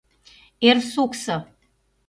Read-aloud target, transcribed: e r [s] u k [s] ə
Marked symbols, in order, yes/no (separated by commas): yes, yes